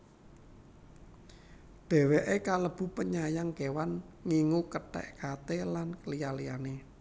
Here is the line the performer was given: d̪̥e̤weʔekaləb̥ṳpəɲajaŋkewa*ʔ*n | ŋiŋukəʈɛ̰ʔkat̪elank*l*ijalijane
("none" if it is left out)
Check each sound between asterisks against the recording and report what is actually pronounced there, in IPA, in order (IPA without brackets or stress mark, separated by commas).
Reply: none, l